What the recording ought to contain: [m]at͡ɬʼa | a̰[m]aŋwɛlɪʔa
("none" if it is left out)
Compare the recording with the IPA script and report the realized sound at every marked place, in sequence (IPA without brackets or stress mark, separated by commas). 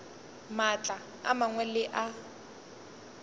m, m